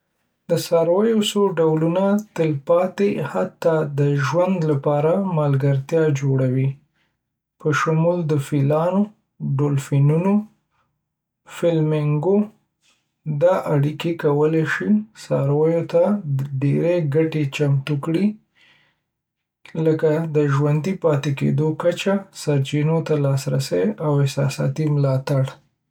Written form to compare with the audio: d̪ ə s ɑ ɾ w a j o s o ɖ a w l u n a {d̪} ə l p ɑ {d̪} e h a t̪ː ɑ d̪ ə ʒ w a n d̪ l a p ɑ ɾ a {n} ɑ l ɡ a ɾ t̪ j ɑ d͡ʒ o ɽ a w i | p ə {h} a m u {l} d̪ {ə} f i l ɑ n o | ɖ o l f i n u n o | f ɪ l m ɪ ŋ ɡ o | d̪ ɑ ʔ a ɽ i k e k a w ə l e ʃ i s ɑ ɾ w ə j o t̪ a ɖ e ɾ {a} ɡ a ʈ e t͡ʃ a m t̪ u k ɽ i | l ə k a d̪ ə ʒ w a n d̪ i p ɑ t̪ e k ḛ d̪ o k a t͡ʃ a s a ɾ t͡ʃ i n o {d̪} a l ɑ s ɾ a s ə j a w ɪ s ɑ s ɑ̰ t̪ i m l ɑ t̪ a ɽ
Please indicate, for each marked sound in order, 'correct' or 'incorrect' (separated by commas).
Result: incorrect, incorrect, incorrect, incorrect, correct, correct, incorrect, incorrect